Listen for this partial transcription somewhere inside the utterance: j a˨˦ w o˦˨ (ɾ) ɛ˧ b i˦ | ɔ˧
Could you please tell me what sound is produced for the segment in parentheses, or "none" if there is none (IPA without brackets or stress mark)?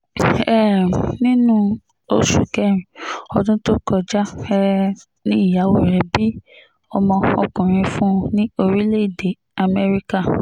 ɾ